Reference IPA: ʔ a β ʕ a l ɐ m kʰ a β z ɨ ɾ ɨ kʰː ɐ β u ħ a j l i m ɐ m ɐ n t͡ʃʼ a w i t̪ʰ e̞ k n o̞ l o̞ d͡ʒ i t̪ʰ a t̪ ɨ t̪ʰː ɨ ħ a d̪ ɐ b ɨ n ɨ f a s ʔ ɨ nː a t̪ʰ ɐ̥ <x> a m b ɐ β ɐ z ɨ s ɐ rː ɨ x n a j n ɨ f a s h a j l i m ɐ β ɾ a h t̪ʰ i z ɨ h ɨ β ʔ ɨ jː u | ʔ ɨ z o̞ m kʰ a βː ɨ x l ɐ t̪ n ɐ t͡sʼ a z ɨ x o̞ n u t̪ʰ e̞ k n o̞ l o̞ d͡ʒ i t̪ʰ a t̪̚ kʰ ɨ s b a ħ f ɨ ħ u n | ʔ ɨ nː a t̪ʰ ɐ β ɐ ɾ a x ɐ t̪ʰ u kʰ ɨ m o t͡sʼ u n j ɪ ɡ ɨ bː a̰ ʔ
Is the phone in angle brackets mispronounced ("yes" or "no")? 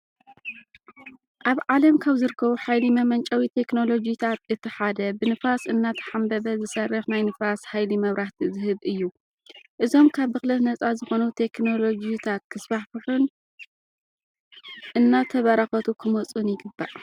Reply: yes